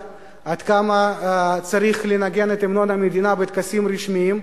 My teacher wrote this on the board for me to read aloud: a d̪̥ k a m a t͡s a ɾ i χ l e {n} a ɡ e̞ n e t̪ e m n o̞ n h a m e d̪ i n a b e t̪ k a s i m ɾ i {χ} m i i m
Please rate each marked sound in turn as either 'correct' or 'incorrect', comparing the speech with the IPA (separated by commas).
correct, incorrect